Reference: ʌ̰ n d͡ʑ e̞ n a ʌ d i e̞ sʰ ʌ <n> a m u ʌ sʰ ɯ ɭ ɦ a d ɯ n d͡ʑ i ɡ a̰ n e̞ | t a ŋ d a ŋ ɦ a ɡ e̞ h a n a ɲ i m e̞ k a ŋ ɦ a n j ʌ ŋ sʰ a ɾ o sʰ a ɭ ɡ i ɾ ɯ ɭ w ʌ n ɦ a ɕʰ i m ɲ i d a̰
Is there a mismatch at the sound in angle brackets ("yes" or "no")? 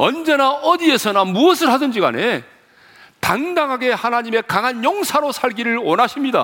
no